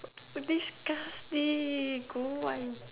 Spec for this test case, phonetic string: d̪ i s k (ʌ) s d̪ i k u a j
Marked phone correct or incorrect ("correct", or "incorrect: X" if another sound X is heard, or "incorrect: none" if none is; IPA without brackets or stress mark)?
incorrect: a